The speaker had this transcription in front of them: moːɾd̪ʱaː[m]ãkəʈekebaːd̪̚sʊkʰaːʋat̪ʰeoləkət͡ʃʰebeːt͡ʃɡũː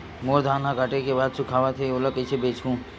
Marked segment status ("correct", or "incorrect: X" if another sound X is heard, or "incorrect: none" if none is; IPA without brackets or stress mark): incorrect: n